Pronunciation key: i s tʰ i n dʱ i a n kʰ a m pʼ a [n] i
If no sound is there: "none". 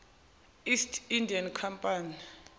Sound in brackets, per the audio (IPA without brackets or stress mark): n